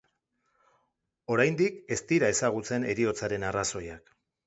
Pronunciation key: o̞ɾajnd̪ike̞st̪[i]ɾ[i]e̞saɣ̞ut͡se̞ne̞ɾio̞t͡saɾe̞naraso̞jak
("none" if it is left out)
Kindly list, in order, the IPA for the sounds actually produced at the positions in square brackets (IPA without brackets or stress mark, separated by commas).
i, a